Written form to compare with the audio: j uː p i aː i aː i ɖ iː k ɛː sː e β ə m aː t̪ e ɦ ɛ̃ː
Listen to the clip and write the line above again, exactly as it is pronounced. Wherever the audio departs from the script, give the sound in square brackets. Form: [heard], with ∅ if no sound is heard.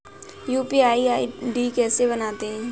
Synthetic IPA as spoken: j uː p i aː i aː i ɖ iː k ɛː [s] e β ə [n] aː t̪ e ɦ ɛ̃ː